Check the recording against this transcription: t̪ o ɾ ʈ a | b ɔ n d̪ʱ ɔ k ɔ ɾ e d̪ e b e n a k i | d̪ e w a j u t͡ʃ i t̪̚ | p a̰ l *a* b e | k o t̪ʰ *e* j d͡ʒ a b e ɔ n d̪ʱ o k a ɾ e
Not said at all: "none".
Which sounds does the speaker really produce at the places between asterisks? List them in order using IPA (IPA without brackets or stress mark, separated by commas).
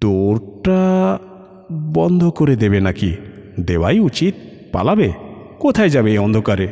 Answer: a, a